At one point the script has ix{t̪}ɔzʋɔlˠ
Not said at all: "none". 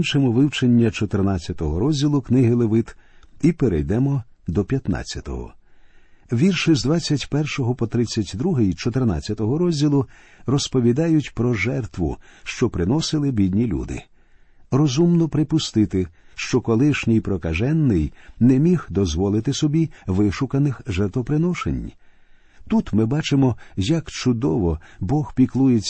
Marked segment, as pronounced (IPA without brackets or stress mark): d̪